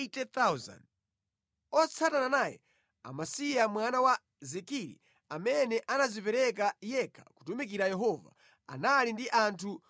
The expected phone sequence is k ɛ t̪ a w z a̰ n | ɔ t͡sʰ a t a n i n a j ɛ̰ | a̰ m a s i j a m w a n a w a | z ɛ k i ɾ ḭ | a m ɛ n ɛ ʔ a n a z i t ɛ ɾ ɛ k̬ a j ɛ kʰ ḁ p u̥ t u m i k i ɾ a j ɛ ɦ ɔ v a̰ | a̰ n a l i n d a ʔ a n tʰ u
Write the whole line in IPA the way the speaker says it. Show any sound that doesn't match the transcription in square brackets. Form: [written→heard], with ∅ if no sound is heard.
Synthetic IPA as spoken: [k→t] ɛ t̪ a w z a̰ n | ɔ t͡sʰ a t a n [i→a] n a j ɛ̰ | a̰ m a s i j a m w a n a w a | z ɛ k i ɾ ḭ | a m ɛ n ɛ ʔ a n a z i [t→p] ɛ ɾ ɛ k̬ a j ɛ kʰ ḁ [p→k] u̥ t u m i k i ɾ a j ɛ ɦ ɔ v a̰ | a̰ n a l i n d [a→i] ʔ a n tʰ u